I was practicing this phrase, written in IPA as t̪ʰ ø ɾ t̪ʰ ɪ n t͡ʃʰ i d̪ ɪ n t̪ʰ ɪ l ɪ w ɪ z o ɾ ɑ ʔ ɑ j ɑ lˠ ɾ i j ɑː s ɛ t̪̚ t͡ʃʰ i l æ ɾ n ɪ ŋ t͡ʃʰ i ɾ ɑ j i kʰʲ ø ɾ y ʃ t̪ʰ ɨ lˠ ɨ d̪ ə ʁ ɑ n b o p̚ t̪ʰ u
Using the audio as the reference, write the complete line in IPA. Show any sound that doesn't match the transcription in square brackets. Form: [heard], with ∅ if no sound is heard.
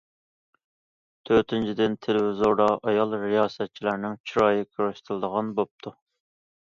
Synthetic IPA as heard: t̪ʰ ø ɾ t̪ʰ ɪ n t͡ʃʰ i d̪ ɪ n t̪ʰ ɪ l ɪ w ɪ z o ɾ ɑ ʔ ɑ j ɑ lˠ ɾ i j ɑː s ɛ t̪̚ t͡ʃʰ i l æ ɾ n ɪ ŋ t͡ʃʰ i ɾ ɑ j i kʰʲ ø ɾ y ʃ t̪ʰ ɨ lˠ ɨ d̪ ə ʁ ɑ n b o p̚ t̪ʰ u